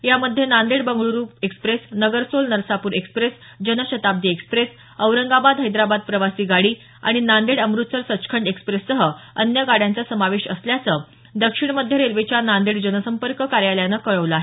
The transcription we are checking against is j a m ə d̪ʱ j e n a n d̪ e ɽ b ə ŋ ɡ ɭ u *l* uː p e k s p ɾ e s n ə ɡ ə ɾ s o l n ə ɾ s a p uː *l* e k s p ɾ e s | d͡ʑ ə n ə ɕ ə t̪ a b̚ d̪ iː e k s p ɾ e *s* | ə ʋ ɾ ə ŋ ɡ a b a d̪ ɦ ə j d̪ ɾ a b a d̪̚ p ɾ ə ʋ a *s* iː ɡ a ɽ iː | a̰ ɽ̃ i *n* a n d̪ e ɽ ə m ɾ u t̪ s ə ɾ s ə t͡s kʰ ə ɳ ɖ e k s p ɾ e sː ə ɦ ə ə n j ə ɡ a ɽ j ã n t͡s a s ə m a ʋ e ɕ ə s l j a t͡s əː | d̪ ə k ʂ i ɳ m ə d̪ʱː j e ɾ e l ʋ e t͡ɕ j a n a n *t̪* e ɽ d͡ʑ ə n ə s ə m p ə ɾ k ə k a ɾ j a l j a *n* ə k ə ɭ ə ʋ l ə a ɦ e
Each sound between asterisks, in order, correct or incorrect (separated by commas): incorrect, incorrect, correct, correct, correct, incorrect, correct